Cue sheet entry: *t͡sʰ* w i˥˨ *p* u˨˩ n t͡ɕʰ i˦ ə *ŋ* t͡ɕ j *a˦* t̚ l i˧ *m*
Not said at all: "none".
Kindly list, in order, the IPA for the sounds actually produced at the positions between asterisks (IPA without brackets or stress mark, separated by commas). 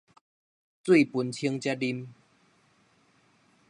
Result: t͡s, p, ŋ, a˦, m